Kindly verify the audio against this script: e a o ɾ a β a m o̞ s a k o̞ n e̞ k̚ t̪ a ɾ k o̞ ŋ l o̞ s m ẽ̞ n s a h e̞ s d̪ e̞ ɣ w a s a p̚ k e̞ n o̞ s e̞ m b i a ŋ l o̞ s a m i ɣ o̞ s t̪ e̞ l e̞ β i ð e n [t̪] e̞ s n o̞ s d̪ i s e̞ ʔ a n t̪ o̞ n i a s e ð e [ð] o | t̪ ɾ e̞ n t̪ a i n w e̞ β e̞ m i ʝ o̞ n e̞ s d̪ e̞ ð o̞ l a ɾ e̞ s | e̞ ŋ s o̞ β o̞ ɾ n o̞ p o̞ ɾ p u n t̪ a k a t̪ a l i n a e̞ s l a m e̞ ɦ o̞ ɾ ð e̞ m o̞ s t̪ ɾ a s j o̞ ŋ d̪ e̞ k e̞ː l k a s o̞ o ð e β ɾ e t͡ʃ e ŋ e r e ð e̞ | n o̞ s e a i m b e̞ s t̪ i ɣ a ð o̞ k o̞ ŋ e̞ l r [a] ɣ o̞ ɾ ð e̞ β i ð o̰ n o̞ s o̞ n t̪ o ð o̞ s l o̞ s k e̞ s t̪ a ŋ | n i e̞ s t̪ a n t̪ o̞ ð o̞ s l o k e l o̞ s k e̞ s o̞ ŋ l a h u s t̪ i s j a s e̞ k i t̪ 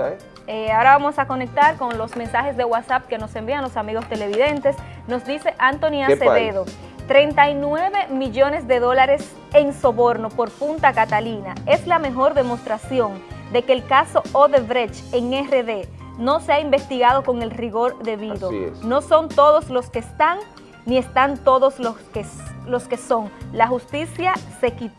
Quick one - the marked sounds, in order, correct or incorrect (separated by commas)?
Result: correct, correct, incorrect